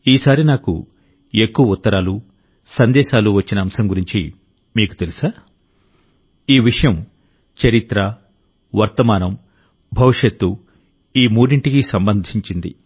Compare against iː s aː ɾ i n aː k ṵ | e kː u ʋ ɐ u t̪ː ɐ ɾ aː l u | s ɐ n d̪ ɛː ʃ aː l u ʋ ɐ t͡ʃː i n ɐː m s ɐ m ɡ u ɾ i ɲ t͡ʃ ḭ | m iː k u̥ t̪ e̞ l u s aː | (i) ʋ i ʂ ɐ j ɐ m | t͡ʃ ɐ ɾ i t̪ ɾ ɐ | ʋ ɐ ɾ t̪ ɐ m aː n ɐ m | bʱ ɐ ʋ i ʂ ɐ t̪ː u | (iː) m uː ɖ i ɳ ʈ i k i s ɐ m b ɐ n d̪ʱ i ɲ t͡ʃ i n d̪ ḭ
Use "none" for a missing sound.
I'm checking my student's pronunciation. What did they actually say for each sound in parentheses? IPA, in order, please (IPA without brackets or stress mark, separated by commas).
iː, iː